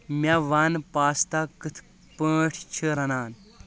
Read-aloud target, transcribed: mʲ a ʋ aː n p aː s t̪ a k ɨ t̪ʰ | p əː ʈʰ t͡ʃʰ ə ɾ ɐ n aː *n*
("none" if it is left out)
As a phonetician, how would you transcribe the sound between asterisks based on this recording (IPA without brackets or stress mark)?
n